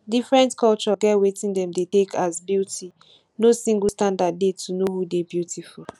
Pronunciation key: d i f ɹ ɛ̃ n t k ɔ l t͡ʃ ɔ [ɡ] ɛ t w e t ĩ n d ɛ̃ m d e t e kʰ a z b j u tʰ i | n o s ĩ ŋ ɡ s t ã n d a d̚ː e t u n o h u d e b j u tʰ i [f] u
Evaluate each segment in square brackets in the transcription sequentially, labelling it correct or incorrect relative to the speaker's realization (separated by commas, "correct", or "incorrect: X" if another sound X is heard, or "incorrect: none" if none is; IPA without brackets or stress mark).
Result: correct, correct